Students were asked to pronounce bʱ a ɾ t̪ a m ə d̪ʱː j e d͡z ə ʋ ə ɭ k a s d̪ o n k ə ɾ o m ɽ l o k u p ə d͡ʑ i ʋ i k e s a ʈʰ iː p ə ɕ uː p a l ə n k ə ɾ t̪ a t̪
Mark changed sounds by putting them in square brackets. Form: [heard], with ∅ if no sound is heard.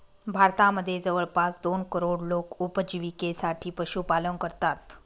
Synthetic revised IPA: bʱ a ɾ t̪ a m ə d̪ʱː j e d͡z ə ʋ ə ɭ [p] a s d̪ o n k ə ɾ o [∅] ɽ l o k u p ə d͡ʑ i ʋ i k e s a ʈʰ iː p ə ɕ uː p a l ə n k ə ɾ t̪ a t̪